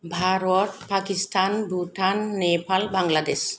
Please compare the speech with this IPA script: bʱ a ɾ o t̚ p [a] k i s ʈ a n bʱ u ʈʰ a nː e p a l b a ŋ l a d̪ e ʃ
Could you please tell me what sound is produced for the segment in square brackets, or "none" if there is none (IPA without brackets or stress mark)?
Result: a